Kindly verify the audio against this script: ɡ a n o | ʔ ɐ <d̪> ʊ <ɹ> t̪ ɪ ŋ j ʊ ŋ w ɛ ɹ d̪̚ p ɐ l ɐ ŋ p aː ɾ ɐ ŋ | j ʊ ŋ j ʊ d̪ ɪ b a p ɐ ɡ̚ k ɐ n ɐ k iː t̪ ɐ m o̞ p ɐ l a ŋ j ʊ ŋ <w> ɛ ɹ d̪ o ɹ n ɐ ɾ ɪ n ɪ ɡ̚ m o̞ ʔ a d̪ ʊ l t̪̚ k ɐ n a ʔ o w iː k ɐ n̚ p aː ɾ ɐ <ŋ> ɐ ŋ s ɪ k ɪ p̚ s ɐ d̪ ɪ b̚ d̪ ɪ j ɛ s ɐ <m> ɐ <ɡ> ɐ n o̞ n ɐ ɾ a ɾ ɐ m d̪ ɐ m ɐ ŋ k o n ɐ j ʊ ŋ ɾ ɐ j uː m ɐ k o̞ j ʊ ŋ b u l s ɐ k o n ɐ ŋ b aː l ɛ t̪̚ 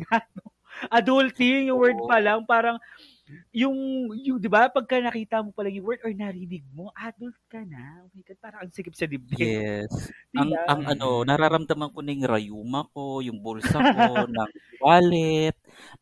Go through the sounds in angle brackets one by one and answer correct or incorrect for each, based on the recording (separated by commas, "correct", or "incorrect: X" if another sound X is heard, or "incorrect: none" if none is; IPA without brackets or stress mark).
correct, incorrect: l, correct, correct, incorrect: ŋ, incorrect: ŋ